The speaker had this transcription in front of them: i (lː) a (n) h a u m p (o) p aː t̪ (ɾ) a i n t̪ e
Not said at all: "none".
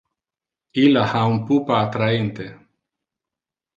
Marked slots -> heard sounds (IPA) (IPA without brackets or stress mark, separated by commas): l, none, u, ɾ